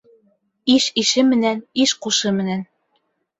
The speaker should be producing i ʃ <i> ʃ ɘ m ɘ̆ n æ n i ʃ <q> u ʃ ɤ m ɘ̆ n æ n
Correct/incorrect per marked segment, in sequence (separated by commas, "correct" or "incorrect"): correct, correct